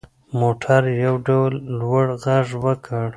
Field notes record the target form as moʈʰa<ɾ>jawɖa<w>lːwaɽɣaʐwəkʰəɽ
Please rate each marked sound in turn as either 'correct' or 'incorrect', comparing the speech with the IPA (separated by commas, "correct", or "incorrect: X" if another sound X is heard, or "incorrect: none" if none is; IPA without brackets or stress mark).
correct, correct